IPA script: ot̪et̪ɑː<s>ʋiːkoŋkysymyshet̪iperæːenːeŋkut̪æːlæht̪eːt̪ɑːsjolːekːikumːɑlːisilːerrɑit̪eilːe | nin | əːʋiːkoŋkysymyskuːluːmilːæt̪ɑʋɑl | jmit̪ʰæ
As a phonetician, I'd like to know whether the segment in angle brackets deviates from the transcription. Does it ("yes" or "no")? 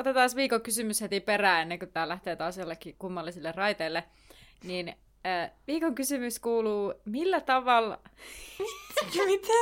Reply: no